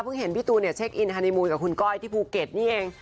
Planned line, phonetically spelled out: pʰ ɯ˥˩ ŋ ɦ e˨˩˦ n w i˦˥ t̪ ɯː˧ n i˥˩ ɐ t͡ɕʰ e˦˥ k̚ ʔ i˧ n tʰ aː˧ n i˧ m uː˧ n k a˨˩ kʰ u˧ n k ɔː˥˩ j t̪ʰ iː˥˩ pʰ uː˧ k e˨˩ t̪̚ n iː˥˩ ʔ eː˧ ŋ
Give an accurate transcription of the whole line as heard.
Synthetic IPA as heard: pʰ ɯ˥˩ ŋ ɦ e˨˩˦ n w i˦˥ t̪ uː˧ n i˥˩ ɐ t͡ɕʰ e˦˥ k̚ ʔ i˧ n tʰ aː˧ n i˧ m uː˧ n k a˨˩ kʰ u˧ n k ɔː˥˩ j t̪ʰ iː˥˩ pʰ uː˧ k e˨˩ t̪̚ n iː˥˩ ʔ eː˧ ŋ

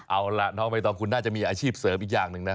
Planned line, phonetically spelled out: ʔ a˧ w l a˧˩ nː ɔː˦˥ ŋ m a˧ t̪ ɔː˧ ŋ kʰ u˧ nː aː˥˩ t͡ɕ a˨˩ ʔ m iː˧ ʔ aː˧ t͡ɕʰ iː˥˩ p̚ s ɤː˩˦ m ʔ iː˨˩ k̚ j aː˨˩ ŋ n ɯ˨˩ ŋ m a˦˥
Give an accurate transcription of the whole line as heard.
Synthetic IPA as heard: ʔ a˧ w l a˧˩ n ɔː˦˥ ŋ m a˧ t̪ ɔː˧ ŋ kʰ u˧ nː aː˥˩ t͡ɕ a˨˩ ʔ m iː˧ ʔ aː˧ t͡ɕʰ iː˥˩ p̚ s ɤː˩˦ m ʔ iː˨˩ k̚ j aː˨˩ ŋ n ɯ˨˩ ŋ n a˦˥

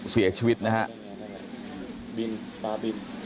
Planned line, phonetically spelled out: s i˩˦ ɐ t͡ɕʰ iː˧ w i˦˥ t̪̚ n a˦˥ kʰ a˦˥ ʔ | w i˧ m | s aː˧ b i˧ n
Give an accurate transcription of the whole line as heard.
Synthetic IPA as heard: s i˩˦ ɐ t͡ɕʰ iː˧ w i˦˥ t̪̚ n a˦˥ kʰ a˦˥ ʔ | b i˧ n | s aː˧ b i˧ n

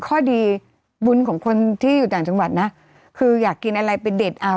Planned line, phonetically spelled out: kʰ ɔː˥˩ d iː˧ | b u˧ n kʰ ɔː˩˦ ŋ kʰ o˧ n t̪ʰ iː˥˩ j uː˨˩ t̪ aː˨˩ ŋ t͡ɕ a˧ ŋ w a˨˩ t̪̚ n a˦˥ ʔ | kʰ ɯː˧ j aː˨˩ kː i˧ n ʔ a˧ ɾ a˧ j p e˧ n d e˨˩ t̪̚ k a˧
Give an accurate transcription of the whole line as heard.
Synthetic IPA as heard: kʰ ɔː˥˩ d iː˧ | b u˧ n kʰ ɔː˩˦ ŋ kʰ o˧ n t̪ʰ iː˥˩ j uː˨˩ t̪ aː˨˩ ŋ t͡ɕ a˧ ŋ w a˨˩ t̪̚ n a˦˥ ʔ | kʰ ɯː˧ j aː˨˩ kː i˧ n ʔ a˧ ɾ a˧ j p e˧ n d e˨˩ t̪̚ ʔ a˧

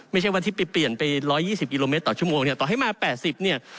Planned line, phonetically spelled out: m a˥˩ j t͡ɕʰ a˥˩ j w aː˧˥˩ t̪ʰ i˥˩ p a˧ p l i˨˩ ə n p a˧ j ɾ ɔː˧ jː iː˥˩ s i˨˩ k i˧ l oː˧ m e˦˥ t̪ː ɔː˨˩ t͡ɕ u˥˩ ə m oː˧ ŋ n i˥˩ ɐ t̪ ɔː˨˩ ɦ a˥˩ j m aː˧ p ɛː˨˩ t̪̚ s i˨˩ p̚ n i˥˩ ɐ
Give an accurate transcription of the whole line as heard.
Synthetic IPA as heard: m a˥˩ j t͡ɕʰ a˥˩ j w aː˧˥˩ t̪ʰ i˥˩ p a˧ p l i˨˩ ə n p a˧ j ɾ ɔː˦˥ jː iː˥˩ s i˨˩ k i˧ l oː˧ m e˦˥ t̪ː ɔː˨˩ t͡ɕ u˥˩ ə m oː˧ ŋ n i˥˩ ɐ t̪ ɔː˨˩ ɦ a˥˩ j m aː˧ p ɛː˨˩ t̪̚ s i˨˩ p̚ n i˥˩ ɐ

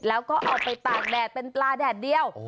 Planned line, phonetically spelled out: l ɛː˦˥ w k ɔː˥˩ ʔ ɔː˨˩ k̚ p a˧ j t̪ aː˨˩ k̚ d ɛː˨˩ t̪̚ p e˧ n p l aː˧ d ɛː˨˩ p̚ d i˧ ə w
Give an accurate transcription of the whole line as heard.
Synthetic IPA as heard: l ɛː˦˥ w k ɔː˥˩ ʔ ɔː˨˩ k̚ p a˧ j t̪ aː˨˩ k̚ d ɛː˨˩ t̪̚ p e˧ n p l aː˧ d ɛː˨˩ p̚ d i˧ ə w

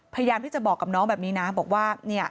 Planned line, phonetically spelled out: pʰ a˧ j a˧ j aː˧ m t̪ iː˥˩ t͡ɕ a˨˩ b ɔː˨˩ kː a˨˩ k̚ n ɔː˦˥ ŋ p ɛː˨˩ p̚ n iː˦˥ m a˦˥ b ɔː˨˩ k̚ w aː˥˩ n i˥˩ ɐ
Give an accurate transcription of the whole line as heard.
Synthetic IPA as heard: pʰ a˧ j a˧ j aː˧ m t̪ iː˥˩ t͡ɕ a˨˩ b ɔː˨˩ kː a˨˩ p̚ n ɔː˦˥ ŋ b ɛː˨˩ p̚ n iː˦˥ n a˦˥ b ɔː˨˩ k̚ w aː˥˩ n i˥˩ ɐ

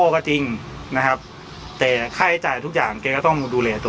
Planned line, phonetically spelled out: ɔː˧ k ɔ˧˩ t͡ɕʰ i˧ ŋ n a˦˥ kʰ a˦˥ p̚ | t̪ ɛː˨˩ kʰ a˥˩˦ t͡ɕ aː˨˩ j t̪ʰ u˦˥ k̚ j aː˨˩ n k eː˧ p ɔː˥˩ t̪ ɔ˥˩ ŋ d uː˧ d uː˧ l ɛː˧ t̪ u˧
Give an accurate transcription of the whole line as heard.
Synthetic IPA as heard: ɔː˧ k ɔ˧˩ t͡ɕ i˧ ŋ n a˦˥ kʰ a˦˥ p̚ | t̪ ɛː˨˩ kʰ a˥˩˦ t͡ɕ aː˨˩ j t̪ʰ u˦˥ k̚ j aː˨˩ ŋ k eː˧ k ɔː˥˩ t̪ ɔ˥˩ ŋ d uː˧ d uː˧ l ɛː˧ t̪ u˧

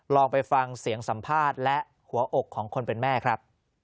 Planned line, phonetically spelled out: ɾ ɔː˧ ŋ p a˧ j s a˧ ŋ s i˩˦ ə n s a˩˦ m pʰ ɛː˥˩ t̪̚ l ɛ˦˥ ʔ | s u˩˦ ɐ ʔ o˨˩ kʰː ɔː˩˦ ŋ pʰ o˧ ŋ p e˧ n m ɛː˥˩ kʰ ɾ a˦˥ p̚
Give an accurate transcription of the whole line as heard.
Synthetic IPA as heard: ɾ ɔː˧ ŋ p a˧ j f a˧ ŋ s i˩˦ ə ŋ s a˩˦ m pʰ aː˥˩ t̪̚ l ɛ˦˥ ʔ | h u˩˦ ɐ ʔ o˨˩ kʰː ɔː˩˦ ŋ kʰ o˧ n p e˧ n m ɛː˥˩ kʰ ɾ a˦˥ p̚

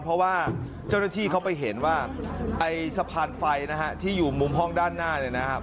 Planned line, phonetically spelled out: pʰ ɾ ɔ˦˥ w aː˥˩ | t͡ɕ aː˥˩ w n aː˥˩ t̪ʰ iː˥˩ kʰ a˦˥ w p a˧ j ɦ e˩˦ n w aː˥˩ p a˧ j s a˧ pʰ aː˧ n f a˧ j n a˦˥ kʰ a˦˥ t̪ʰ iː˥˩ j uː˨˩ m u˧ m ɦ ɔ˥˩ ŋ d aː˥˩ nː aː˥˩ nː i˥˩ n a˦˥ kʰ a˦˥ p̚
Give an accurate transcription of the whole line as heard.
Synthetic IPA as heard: pʰ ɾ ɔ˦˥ w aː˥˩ | t͡ɕ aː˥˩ w n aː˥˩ t̪ʰ iː˥˩ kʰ a˦˥ w p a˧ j ɦ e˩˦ n w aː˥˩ ʔ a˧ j s a˧ pʰ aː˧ n f a˧ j n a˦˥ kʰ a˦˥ t̪ʰ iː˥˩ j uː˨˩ m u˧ m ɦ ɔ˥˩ ŋ d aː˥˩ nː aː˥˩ n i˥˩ n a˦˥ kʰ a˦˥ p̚

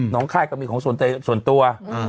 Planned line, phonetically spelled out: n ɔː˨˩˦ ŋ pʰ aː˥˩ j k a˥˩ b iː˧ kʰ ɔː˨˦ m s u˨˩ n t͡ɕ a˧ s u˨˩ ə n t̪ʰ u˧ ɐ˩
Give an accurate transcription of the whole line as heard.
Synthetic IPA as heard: n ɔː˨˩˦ ŋ kʰ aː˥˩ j k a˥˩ m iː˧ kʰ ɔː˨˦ ŋ s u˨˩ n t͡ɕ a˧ s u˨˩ ə n t̪ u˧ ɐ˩

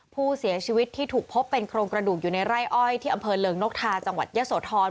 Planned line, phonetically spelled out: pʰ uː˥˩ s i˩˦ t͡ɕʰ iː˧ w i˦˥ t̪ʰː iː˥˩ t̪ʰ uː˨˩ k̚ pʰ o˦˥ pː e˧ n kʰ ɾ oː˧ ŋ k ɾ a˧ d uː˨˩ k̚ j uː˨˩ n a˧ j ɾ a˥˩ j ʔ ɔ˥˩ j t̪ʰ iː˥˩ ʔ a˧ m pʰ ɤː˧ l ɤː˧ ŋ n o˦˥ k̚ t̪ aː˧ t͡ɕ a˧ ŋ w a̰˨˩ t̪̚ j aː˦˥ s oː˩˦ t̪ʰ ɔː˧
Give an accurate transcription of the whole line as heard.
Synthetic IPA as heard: pʰ uː˥˩ s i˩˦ t͡ɕʰ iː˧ w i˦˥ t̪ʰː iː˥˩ t̪ʰ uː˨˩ k̚ pʰ o˦˥ pː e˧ n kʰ ɾ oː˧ ŋ k ɾ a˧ d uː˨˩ k̚ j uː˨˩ n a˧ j ɾ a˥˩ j ʔ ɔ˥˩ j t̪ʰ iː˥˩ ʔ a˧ m pʰ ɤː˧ l ɤː˧ ŋ n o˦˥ k̚ t̪ʰ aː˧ t͡ɕ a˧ ŋ w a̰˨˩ t̪̚ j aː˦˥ s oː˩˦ t̪ʰ ɔː˧

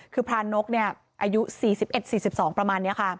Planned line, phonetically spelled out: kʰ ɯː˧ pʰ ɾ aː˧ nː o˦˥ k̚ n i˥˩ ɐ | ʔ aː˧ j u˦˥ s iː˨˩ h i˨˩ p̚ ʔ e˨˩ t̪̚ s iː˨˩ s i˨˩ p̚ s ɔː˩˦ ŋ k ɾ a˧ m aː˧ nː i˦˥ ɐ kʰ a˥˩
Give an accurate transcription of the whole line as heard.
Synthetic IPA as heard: kʰ ɯː˧ pʰ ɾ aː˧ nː o˦˥ k̚ n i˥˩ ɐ | ʔ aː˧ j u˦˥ s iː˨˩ s i˨˩ p̚ ʔ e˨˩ t̪̚ s iː˨˩ s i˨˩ p̚ s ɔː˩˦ ŋ p ɾ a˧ m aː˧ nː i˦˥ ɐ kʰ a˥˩

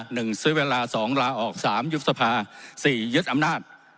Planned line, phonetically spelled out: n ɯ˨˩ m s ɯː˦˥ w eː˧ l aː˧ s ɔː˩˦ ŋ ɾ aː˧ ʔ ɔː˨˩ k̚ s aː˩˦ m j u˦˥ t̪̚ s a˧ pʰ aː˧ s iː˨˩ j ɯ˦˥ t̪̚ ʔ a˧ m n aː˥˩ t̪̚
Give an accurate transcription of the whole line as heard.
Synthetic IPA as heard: n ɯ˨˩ ŋ s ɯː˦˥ w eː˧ l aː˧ s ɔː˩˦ ŋ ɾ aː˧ ʔ ɔː˨˩ k̚ s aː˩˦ m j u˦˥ t̪̚ s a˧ pʰ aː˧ s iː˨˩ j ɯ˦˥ t̪̚ ʔ a˧ m n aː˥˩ t̪̚

